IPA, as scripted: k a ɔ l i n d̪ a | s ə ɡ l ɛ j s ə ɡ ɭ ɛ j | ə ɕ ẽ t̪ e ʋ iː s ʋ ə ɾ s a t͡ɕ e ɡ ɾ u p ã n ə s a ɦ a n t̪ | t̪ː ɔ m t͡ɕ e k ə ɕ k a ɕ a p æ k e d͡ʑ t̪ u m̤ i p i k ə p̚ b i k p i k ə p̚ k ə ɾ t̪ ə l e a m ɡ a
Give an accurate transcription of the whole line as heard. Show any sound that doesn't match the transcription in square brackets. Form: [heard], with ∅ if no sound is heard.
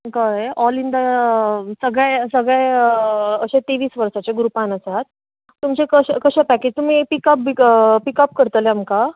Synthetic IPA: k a ɔ l i n d̪ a | s ə ɡ [ɭ] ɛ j s ə ɡ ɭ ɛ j | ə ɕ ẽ t̪ e ʋ iː s ʋ ə ɾ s a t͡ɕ e ɡ ɾ u p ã n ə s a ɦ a [∅] t̪ | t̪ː [u] m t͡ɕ e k ə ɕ k [ə] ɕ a p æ k e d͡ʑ t̪ u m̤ i p i k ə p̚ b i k p i k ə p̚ k ə ɾ t̪ ə l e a m [k] a